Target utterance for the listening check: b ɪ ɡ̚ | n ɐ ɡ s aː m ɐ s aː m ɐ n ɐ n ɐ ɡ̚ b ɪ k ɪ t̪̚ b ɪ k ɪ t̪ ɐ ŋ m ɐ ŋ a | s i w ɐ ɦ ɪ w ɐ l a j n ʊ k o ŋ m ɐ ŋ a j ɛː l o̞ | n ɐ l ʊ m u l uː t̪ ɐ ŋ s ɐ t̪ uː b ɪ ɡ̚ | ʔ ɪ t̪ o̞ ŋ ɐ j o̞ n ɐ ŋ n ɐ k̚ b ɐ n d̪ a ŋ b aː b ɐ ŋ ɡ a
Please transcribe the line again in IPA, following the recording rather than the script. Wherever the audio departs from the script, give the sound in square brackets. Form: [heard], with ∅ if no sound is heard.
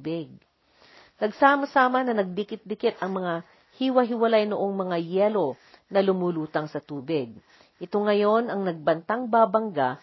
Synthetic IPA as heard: b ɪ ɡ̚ | n ɐ ɡ s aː m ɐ s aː m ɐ n ɐ n ɐ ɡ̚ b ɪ k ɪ t̪̚ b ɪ k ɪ t̪ ɐ ŋ m ɐ ŋ a | [h] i w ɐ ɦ ɪ w ɐ l a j n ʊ [ʔ] o ŋ m ɐ ŋ a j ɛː l o̞ | n ɐ l ʊ m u l uː t̪ ɐ ŋ s ɐ t̪ uː b ɪ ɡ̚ | ʔ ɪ t̪ o̞ ŋ ɐ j o̞ n ɐ ŋ n ɐ [ɡ̚] b ɐ n [t̪] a ŋ b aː b ɐ ŋ ɡ a